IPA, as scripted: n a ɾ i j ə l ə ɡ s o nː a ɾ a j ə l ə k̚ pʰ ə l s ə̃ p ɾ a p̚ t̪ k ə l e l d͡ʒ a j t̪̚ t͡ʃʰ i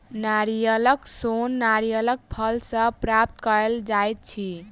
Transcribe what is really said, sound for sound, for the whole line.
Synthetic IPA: n a ɾ i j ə l ə k s o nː a ɾ i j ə l ə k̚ pʰ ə l s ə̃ p ɾ a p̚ t̪ k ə ɾ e l d͡ʒ a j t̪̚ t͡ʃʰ i